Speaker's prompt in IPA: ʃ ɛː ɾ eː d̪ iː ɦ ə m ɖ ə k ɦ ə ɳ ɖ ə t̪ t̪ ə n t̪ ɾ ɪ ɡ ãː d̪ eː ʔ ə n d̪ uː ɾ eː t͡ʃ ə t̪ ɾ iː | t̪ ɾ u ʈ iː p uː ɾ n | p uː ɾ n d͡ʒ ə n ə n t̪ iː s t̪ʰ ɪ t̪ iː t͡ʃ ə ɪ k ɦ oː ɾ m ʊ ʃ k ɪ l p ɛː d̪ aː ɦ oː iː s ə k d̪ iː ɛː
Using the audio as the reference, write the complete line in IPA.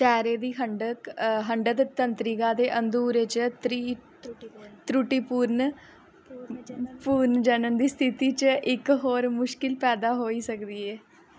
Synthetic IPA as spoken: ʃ ɛː ɾ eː d̪ iː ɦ ə ɳ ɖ ə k ɦ ə ɳ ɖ ə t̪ t̪ ə n t̪ ɾ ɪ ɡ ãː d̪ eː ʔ ə n d̪ uː ɾ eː t͡ʃ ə t̪ ɾ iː | t̪ ɾ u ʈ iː p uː ɾ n | p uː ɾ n d͡ʒ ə n ə n d̪ iː s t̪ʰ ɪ t̪ iː t͡ʃ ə ɪ k ɦ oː ɾ m ʊ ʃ k ɪ l p ɛː d̪ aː ɦ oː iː s ə k d̪ iː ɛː